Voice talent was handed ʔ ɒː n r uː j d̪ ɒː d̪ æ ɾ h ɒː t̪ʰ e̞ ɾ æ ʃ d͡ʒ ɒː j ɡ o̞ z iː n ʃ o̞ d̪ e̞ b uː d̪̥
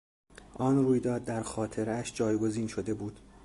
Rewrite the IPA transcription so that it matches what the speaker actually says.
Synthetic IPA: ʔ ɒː n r uː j d̪ ɒː d̪ː æ ɾ x ɒː t̪ʰ e̞ ɾ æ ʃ d͡ʒ ɒː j ɡ o̞ z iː n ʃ o̞ d̪ e̞ b uː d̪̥